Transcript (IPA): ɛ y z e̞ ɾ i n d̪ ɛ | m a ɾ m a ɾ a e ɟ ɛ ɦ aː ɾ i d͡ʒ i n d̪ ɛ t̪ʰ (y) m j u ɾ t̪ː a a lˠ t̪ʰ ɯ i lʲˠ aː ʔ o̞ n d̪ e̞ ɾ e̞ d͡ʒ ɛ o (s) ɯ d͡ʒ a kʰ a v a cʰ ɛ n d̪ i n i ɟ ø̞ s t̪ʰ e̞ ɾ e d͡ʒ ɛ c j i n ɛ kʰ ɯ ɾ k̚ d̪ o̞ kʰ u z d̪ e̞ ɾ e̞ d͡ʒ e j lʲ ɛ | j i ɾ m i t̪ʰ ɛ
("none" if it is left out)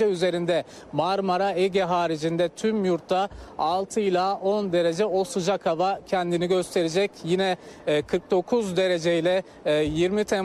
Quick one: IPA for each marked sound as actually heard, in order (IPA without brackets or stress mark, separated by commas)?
y, s